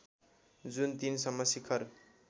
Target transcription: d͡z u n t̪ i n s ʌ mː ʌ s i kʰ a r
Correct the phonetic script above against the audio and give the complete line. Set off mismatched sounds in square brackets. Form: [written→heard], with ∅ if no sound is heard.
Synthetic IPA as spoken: d͡z u n t̪ i n s ʌ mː ʌ s i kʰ [a→ʌ] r